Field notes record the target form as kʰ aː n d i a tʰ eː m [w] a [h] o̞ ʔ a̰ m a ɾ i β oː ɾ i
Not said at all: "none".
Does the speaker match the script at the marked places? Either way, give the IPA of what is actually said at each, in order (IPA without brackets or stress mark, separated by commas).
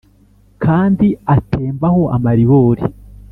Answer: b, h